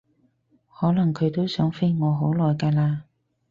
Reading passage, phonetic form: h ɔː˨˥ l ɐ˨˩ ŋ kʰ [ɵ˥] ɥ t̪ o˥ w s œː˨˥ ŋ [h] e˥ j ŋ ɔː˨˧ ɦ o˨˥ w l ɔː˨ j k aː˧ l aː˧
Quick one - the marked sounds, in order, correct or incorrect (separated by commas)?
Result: incorrect, incorrect